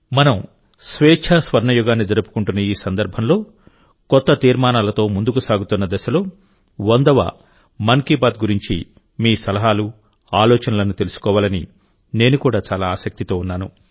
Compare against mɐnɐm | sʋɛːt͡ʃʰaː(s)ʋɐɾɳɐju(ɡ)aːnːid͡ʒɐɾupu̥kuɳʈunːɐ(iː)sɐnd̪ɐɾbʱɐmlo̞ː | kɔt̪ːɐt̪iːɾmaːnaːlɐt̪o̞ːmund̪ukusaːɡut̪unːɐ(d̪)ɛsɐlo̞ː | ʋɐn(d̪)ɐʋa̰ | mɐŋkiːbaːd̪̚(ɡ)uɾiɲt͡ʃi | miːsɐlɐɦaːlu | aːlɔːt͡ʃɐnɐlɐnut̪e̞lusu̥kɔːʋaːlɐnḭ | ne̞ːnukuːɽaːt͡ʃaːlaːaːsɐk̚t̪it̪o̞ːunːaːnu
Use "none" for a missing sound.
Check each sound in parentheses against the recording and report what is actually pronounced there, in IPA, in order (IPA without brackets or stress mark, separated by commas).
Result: s, ɡ, iː, d̪, d̪, ɡ